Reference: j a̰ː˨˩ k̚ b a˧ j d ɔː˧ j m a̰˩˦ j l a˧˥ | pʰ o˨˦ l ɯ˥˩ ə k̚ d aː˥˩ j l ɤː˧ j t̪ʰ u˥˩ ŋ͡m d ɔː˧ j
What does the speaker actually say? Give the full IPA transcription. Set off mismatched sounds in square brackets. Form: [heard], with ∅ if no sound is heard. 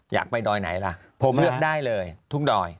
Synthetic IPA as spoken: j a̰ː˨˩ k̚ [p] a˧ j d ɔː˧ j [n] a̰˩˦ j l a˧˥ | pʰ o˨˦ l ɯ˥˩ ə k̚ d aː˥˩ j l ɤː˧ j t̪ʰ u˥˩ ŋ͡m d ɔː˧ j

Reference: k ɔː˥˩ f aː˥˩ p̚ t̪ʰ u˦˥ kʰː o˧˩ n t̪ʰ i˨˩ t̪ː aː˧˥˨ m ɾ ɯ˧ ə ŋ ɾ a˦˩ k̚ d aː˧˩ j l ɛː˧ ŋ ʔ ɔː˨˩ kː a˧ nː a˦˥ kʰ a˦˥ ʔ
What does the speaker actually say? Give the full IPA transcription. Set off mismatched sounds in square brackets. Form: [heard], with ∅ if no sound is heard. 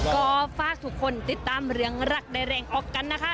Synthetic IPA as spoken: k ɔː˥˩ f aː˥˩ [k̚] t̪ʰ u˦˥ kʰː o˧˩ n [t̪] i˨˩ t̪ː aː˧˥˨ m ɾ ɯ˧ ə ŋ ɾ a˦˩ k̚ d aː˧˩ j [ɾ] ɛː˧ ŋ ʔ ɔː˨˩ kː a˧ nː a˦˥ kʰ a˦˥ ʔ

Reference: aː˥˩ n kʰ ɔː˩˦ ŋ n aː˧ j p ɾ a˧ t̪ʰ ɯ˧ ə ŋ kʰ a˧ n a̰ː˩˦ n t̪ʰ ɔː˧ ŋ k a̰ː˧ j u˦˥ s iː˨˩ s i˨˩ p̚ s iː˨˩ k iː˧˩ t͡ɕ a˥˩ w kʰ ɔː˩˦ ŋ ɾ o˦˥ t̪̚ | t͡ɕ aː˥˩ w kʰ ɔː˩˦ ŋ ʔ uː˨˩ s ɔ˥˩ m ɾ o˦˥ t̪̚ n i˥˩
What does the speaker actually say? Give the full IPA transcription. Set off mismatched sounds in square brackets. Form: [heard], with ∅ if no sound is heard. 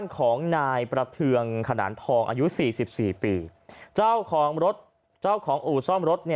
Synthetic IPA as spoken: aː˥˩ n kʰ ɔː˩˦ ŋ n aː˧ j p ɾ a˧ t̪ʰ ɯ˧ ə ŋ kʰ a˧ n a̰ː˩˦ n t̪ʰ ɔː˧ ŋ [ʔ] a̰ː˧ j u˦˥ s iː˨˩ s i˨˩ p̚ s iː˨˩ [p] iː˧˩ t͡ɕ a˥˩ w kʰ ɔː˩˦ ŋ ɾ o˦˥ t̪̚ | t͡ɕ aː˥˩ w kʰ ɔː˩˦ ŋ ʔ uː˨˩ s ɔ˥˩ m ɾ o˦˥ t̪̚ n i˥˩

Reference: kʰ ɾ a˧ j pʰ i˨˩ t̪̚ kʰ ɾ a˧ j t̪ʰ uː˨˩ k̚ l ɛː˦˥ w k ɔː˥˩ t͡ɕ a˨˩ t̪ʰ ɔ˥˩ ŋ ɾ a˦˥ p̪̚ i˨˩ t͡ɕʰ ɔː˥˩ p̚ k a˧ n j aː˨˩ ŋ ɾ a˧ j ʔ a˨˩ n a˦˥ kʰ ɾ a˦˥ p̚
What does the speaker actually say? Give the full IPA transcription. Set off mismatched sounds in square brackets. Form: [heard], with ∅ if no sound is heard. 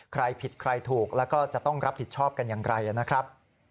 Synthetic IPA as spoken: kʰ ɾ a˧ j pʰ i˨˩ t̪̚ kʰ ɾ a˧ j t̪ʰ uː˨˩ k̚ l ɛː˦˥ w k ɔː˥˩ t͡ɕ a˨˩ [t̪] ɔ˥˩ ŋ ɾ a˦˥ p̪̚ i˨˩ t͡ɕʰ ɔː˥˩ p̚ k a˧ n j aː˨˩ ŋ ɾ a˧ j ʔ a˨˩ n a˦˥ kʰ ɾ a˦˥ p̚

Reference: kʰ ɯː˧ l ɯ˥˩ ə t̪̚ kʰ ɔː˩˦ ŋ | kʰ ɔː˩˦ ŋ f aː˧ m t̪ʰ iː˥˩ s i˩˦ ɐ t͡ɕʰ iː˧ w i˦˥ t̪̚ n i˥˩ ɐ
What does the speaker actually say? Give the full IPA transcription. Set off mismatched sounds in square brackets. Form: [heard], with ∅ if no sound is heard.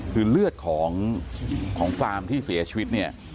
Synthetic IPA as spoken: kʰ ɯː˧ l ɯ˥˩ ə t̪̚ kʰ ɔː˩˦ ŋ | kʰ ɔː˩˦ ŋ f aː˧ m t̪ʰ iː˥˩ s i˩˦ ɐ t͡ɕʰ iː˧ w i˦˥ t̪̚ n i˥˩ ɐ

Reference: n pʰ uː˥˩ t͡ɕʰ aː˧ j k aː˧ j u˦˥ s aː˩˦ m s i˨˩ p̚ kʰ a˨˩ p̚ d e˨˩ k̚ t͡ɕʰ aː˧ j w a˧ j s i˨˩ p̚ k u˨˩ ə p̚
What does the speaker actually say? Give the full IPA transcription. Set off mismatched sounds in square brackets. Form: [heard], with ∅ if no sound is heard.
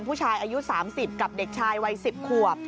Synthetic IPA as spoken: n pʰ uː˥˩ t͡ɕʰ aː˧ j [ʔ] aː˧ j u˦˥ s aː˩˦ m s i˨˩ p̚ [k] a˨˩ p̚ d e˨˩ k̚ t͡ɕʰ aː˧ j w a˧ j s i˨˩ p̚ [kʰ] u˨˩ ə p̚

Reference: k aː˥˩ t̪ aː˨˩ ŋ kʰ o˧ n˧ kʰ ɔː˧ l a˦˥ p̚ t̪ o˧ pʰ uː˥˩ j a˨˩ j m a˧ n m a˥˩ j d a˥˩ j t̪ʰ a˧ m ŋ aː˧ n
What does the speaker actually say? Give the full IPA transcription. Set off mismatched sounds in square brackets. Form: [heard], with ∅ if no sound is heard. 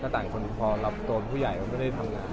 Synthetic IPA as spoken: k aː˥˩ t̪ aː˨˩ ŋ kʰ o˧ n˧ [pʰ] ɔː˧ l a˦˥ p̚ t̪ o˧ pʰ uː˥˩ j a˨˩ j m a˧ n m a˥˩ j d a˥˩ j t̪ʰ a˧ m ŋ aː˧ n

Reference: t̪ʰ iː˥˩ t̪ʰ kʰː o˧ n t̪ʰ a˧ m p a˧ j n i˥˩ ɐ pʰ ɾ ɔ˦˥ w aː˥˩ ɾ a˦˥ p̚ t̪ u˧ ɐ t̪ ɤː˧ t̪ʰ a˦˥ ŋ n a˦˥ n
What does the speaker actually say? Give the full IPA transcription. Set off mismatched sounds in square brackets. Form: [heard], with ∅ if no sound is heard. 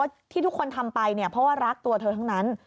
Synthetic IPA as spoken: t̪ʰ iː˥˩ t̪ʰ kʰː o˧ n t̪ʰ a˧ m p a˧ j n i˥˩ ɐ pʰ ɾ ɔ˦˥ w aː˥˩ ɾ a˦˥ [k̚] t̪ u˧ ɐ [t̪ʰ] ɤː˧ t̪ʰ a˦˥ ŋ n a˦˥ n

